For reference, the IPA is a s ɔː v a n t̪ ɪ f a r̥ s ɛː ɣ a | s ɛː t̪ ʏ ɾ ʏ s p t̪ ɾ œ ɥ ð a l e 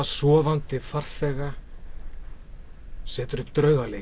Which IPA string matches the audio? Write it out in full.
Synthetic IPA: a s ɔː v a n t̪ ɪ f a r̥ θ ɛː ɣ a | s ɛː t̪ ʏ ɾ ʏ h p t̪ ɾ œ ɥ ɣ a l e

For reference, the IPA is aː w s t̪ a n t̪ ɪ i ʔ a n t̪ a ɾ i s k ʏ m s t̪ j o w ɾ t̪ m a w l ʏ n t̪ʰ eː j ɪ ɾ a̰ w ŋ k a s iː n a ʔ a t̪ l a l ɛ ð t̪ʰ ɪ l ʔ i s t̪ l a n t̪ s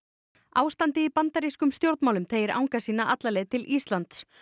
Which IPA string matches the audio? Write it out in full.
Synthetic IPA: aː w s t̪ a n t̪ ɪ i p a n t̪ a ɾ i s k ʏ m s t̪ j o w ɾ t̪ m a w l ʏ m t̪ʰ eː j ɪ ɾ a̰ w ŋ k a s iː n a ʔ a t̪ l a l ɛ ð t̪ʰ ɪ l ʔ i s t̪ l a n t̪ s

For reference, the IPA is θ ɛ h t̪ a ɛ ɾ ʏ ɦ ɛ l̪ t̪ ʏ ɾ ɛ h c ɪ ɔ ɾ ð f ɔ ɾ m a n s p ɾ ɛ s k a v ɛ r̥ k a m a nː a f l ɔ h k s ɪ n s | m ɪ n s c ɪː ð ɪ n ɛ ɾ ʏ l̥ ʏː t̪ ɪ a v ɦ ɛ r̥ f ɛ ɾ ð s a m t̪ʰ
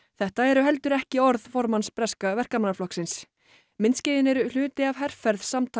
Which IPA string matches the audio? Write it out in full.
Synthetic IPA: θ ɛ h t̪ a ɛ ɾ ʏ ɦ ɛ l̪ t̪ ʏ ɾ ɛ h c ɪ ɔ ɾ ð f ɔ ɾ m a n s p ɾ ɛ s k a v ɛ r̥ k a m a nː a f l ɔ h k s ɪ n s | m ɪ n s c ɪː ð ɪ n ɛ ɾ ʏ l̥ ʏː t̪ ɪ a v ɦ ɛ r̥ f ɛ ɾ ð s a m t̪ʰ

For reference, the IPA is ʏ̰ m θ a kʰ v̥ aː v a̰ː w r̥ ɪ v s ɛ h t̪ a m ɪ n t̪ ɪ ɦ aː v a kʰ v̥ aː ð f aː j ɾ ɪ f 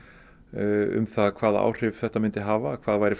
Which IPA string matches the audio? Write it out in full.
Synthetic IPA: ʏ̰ m θ a kʰ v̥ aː ð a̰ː w r̥ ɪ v θ ɛ h t̪ a m ɪ n t̪ ɪ ɦ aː v a kʰ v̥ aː ð v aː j ɾ ɪ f

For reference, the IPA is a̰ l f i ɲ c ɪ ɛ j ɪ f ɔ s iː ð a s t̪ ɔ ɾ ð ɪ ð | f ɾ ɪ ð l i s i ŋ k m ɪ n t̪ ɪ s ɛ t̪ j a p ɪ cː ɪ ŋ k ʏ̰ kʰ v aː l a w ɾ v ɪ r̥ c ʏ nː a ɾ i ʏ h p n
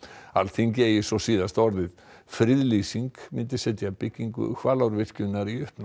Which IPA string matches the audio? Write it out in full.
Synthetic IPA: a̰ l θ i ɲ c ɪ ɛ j ɪ s ɔ s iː ð a s t̪ ɔ ɾ ð ɪ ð | f ɾ ɪ ð l i s i ŋ k m ɪ n t̪ ɪ s ɛ t̪ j a p ɪ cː i ŋ k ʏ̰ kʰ v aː l a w ɾ v ɪ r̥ c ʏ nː a ɾ i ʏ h p n

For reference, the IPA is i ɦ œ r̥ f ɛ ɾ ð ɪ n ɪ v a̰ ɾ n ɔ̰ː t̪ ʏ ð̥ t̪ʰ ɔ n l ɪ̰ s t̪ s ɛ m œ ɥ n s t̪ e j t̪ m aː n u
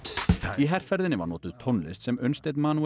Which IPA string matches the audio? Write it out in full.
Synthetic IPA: i ɦ ɛ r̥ f ɛ ɾ ð ɪ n ɪ v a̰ ɾ n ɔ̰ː t̪ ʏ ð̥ t̪ʰ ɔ n l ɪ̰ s t̪ s ɛ m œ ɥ n s t̪ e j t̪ m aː n u

